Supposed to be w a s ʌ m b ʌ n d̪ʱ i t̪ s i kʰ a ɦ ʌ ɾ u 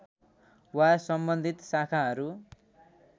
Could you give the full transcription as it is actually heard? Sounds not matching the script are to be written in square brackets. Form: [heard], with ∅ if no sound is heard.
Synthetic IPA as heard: w a s ʌ m b ʌ n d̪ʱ i t̪ s [a] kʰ a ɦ ʌ ɾ u

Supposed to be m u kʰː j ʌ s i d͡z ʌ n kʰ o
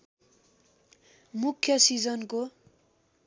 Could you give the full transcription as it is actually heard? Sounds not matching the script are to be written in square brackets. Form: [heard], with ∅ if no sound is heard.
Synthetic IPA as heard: m u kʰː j ʌ s i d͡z ʌ n [k] o

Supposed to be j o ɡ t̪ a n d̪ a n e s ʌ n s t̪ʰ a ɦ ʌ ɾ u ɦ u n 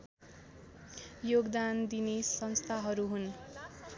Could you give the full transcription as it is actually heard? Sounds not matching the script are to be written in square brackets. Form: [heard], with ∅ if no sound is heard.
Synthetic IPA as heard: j o ɡ [d̪] a n d̪ [i] n e s ʌ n s t̪ʰ a ɦ ʌ ɾ u ɦ u n

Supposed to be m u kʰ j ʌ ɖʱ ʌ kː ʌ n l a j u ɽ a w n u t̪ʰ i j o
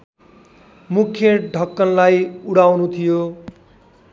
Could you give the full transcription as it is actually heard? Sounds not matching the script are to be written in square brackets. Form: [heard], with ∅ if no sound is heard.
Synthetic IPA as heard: m u kʰ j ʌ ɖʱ ʌ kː ʌ n l a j u ɽ a w n u t̪ʰ i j o

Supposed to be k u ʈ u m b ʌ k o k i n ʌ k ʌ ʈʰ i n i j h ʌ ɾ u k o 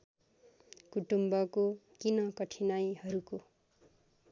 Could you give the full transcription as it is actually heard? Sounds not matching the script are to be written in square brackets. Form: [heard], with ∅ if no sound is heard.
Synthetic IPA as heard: k u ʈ u m b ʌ k o k i n ʌ k ʌ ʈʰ i n [a] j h ʌ ɾ u k o

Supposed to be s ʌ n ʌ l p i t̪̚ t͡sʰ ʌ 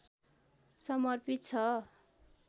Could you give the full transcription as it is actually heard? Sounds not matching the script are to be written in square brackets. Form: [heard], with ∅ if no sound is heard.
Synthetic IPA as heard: s ʌ [m] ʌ [r] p i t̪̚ t͡sʰ ʌ

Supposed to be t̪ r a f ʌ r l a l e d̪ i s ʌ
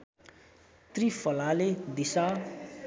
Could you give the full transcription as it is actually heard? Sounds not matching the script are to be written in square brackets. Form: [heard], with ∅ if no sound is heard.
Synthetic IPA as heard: t̪ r [i] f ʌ [∅] l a l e d̪ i s [a]

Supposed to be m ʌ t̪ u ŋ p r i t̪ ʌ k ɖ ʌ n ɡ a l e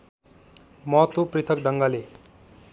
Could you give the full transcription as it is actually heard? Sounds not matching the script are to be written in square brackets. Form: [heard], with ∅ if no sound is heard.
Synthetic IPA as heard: m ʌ t̪ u [∅] p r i [t̪ʰ] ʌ k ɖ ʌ [ŋ] ɡ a l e

